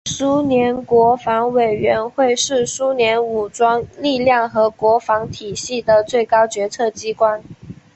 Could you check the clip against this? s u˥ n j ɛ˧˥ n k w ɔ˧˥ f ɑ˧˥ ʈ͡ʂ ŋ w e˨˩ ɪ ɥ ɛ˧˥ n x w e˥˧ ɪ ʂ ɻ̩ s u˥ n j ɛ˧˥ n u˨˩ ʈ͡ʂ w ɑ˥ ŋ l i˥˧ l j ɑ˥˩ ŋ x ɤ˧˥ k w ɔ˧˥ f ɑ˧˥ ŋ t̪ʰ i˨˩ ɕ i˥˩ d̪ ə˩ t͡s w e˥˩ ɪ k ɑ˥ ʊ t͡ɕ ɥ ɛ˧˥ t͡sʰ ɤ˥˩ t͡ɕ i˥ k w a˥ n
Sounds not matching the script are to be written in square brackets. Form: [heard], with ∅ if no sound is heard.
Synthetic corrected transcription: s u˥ n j ɛ˧˥ n k w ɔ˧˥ f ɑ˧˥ [∅] ŋ w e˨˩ ɪ ɥ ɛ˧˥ n x w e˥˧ ɪ ʂ ɻ̩ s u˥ n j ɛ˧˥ n u˨˩ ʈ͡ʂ w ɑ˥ ŋ l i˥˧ l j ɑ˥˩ ŋ x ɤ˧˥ k w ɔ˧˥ f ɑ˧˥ ŋ t̪ʰ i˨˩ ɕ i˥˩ d̪ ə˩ t͡s w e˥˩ ɪ k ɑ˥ ʊ t͡ɕ ɥ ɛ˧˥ t͡sʰ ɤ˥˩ t͡ɕ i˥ k w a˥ n